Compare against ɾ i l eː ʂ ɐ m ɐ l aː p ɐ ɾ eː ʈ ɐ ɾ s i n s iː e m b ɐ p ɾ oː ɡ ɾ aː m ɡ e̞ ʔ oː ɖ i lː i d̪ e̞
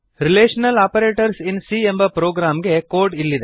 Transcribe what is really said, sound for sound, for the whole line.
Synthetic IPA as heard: ɾ i l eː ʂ ɐ n ɐ l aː p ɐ ɾ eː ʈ ɐ ɾ s i n s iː e m b ɐ p ɾ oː ɡ ɾ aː m ɡ e̞ k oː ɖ i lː i d̪ e̞

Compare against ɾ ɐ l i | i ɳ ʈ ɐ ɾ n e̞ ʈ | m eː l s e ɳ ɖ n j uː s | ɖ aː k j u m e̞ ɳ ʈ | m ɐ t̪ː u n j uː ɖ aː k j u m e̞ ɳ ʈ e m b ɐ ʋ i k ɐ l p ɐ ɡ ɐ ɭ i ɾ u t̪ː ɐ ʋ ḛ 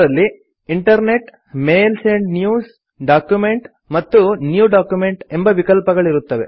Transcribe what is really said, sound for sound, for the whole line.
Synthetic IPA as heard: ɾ ɐ lː i | i ɳ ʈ ɐ ɾ n e̞ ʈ | m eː l s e ɳ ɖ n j uː s | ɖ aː k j u m e̞ ɳ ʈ | m ɐ t̪ː u n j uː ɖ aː k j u m e̞ ɳ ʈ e m b ɐ ʋ i k ɐ l p ɐ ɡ ɐ ɭ i ɾ u t̪ː ɐ ʋ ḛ

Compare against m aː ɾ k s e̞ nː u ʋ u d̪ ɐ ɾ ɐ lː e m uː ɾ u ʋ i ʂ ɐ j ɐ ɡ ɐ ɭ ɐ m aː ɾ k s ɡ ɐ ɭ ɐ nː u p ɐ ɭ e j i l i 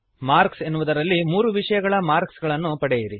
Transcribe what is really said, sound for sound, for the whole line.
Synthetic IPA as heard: m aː ɾ k s e̞ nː u ʋ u d̪ ɐ ɾ ɐ lː i m uː ɾ u ʋ i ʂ ɐ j ɐ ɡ ɐ ɭ ɐ m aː ɾ k s ɡ ɐ ɭ ɐ nː u p ɐ ɽ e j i ɾ i

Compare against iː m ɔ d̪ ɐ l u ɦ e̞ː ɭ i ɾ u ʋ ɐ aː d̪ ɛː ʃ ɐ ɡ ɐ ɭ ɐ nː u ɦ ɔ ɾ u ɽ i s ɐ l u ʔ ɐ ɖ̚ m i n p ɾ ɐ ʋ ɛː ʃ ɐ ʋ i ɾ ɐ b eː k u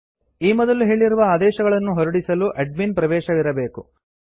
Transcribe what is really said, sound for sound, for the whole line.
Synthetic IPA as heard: iː m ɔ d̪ ɐ l u ɦ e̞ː ɭ i ɾ u ʋ ɐ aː d̪ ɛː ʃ ɐ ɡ ɐ ɭ ɐ nː u ɦ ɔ ɾ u ɽ i s ɐ l u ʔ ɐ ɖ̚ m i n p ɾ ɐ ʋ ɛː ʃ ɐ ʋ i ɾ ɐ b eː k u

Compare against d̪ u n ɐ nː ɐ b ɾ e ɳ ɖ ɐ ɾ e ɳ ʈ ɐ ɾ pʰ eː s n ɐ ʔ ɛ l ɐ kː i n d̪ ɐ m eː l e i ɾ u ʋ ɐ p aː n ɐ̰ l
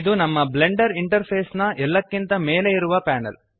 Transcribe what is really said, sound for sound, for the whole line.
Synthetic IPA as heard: d̪ u n ɐ mː ɐ b l e ɳ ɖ ɐ ɾ i ɳ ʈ ɐ ɾ pʰ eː s n ɐ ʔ ɛ lː ɐ kː i n t̪ ɐ m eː l e i ɾ u ʋ ɐ p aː n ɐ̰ l

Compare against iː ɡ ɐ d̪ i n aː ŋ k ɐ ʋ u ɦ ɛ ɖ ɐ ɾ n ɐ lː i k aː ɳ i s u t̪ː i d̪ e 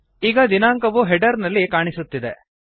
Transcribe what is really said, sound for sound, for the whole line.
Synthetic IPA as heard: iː ɡ ɐ d̪ i n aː ŋ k ɐ ʋ u ɦ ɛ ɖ ɐ ɾ n ɐ lː i k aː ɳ i s u t̪ː i d̪ e

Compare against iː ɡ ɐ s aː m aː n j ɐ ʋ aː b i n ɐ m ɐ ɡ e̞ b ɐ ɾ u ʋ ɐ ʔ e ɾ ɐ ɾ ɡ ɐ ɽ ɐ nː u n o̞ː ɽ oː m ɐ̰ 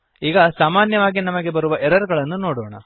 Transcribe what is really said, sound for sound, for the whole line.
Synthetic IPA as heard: iː ɡ ɐ s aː m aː n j ɐ ʋ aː ɡ i n ɐ m ɐ ɡ e̞ b ɐ ɾ u ʋ ɐ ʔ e ɾ ɐ ɾ ɡ ɐ ɭ ɐ nː u n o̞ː ɽ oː ɳ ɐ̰

